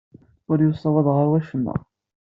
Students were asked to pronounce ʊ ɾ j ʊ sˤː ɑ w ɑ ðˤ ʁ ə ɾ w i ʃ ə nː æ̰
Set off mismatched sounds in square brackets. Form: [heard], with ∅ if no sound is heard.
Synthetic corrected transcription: ʊ ɾ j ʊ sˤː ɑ w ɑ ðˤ ʁ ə ɾ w [æ] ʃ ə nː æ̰